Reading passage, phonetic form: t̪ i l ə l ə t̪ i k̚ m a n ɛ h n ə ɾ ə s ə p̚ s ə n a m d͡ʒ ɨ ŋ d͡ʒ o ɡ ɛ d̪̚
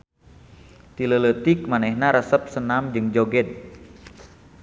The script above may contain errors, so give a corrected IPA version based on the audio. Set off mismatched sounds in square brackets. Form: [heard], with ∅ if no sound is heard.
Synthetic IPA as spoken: t̪ i l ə l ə t̪ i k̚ m a n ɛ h n [a] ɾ ə s ə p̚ s ə n a m d͡ʒ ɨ ŋ d͡ʒ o ɡ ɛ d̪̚